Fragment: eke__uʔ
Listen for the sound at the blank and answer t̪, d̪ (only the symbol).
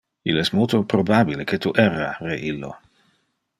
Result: t̪